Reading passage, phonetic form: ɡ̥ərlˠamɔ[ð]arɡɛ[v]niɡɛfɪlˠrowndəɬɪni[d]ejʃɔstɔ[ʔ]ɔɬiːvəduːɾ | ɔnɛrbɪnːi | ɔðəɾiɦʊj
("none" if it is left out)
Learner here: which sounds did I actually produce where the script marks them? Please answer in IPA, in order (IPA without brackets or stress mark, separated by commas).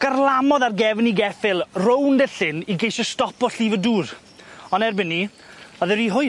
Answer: ð, v, ɡ, p